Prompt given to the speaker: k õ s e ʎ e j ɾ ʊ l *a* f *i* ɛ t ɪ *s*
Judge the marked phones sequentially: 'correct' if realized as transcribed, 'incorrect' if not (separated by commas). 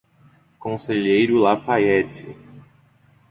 correct, incorrect, incorrect